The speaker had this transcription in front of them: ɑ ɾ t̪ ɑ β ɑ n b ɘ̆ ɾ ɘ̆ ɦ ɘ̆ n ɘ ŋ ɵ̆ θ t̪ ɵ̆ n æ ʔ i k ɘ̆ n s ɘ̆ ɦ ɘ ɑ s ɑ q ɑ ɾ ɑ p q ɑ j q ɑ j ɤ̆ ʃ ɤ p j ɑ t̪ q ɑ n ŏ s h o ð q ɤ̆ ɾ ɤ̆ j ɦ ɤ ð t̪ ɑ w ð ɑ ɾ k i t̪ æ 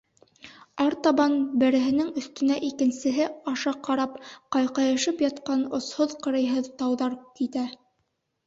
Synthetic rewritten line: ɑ ɾ t̪ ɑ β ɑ n b ɘ̆ ɾ ɘ̆ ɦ ɘ̆ n ɘ ŋ ɵ̆ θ t̪ ɵ̆ n æ ʔ i k ɘ̆ n s ɘ̆ ɦ ɘ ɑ ʃ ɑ q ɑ ɾ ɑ p q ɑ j q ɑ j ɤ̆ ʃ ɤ p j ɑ t̪ q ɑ n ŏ s h o ð q ɤ̆ ɾ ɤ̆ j ɦ ɤ ð t̪ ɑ w ð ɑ ɾ k i t̪ æ